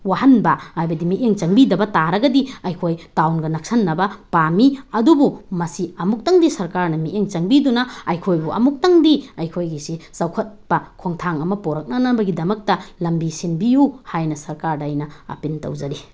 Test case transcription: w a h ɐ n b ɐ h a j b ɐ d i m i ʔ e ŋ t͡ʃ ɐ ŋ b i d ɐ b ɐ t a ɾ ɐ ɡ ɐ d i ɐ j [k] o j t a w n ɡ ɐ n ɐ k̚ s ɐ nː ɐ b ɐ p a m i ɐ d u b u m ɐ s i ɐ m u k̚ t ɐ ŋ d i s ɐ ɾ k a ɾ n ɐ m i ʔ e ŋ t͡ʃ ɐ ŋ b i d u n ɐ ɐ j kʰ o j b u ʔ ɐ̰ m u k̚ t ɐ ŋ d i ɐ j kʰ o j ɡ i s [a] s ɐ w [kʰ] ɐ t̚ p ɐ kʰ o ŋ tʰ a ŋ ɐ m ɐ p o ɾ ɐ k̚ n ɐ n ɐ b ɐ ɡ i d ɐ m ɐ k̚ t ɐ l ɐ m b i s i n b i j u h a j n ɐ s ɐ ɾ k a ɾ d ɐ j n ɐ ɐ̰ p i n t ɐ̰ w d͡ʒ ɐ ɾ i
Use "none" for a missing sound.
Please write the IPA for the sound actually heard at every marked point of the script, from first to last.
kʰ, i, kʰ

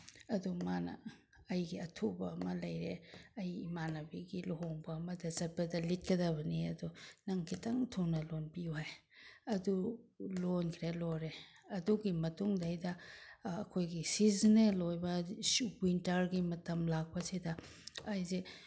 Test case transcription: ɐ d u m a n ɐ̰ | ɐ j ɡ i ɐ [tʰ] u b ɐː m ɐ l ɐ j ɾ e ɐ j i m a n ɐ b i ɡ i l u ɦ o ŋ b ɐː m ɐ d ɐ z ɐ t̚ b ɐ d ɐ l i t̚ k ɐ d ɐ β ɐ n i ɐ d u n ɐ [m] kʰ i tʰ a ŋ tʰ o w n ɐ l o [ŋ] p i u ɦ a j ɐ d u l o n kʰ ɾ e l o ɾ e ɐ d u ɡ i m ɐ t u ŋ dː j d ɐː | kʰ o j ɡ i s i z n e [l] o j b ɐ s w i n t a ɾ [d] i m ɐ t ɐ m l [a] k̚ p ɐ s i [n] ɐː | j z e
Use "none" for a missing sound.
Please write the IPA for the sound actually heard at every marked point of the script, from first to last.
tʰ, ŋ, n, l, ɡ, a, d

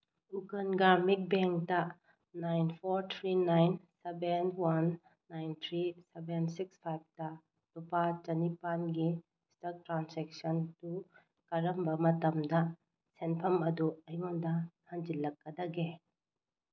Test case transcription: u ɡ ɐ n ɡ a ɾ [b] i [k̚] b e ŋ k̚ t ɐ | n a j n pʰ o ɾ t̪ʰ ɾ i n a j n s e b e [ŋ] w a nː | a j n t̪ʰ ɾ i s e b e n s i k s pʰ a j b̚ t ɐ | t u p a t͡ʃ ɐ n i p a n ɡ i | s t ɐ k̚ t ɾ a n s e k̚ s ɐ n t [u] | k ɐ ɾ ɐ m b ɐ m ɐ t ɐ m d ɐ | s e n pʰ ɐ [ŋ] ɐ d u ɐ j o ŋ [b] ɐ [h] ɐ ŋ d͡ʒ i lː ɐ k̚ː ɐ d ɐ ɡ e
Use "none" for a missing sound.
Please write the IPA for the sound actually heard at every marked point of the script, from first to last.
m, k̚, n, u, m, d, h

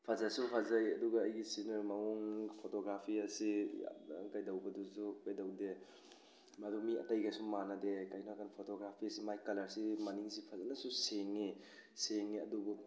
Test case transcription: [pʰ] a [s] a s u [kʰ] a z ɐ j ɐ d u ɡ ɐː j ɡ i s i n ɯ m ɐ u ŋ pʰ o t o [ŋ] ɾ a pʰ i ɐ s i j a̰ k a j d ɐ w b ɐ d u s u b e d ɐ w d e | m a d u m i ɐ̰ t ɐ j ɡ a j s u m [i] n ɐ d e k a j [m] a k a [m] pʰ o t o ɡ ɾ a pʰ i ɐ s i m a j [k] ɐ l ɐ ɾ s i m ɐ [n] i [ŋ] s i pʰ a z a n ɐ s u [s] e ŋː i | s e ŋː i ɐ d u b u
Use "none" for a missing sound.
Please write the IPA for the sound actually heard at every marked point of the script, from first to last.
pʰ, z, pʰ, ɡ, a, n, n, k, n, ŋ, s

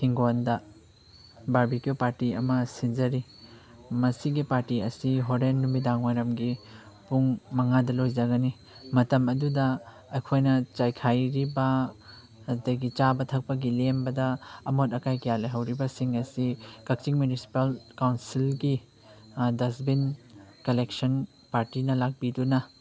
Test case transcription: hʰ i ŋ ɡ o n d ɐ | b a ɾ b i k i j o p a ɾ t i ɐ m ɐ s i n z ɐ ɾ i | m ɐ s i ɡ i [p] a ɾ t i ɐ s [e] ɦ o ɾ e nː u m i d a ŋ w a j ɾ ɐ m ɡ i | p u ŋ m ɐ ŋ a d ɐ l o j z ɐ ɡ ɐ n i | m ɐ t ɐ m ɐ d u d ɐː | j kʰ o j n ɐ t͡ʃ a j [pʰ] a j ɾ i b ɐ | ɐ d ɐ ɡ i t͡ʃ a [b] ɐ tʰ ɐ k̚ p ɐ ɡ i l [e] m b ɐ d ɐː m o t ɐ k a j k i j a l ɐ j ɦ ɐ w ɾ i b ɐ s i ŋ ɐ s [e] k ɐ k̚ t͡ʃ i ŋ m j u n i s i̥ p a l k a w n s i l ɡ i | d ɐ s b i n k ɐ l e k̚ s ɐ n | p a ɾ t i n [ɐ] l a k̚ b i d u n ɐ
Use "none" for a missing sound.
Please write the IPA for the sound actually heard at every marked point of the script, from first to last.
p, i, kʰ, b, e, i, ɐ

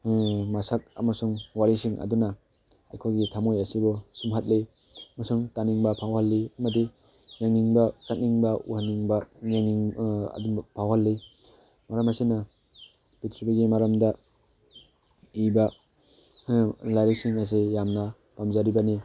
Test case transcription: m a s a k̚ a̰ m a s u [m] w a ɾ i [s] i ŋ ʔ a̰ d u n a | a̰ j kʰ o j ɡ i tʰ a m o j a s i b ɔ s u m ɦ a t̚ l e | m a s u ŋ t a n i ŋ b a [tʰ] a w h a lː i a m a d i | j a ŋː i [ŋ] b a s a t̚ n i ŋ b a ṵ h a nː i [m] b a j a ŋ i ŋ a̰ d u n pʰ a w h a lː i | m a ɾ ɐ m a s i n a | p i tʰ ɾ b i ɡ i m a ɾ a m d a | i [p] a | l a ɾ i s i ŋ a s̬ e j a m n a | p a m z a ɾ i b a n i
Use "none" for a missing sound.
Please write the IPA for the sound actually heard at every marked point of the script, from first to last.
ŋ, s, pʰ, ŋ, ŋ, b

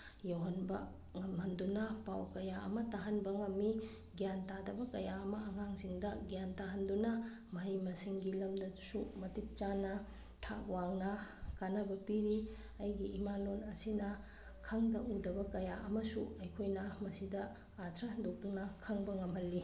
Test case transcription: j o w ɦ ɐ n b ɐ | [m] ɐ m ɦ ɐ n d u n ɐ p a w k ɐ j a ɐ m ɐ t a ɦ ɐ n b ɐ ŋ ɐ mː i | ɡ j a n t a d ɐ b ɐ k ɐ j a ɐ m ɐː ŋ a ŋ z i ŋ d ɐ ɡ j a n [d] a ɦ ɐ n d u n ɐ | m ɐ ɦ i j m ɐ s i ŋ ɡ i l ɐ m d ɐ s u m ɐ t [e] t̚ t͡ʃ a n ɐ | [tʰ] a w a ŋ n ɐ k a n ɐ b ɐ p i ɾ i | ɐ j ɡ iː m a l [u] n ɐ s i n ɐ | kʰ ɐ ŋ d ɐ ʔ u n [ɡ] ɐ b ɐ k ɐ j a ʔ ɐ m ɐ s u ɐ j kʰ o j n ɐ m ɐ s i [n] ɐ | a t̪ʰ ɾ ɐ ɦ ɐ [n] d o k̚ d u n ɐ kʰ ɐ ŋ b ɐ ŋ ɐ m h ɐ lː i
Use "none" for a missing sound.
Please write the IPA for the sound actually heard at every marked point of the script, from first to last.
ŋ, t, i, tʰ, o, d, d, n

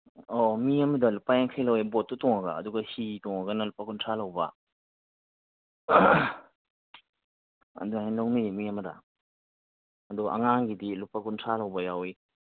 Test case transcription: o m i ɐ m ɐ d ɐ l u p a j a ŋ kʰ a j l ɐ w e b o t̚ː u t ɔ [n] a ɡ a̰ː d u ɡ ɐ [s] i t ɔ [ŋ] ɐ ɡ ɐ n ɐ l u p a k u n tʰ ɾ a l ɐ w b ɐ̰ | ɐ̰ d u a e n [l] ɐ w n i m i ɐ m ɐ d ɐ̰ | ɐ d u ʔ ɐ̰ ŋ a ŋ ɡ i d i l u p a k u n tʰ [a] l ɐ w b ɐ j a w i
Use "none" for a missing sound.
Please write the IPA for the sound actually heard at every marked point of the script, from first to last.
ŋ, h, ŋ, l, a

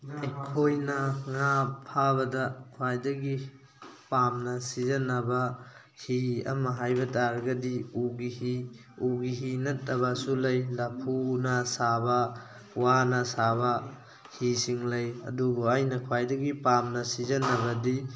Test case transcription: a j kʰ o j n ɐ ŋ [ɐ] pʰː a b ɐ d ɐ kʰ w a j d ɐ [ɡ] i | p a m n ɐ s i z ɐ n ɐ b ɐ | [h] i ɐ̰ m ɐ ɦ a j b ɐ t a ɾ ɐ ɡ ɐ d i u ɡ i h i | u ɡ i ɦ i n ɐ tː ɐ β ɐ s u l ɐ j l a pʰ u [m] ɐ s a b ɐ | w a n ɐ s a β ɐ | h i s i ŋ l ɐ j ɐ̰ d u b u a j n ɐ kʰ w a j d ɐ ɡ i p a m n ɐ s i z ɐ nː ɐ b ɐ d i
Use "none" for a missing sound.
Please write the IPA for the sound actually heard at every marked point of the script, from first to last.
a, ɡ, h, n

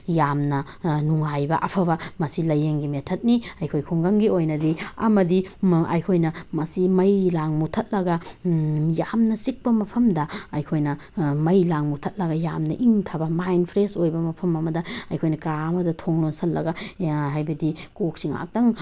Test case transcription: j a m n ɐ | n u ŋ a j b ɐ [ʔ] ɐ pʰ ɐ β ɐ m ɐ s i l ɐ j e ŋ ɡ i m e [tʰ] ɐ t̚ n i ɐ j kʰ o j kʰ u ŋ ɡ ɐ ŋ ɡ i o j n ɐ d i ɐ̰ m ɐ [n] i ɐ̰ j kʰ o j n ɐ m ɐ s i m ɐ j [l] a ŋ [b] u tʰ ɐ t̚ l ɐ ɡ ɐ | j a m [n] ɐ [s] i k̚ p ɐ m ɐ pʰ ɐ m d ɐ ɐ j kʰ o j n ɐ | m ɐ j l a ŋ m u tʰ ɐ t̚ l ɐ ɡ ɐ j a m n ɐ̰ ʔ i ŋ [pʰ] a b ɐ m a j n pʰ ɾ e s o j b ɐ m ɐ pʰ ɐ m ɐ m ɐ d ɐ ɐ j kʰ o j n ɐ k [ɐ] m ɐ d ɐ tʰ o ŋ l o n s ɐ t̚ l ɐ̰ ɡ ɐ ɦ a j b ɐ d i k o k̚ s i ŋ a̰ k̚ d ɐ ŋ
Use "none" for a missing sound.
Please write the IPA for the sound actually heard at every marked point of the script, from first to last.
ʔ, tʰ, d, l, m, n, s, tʰ, a

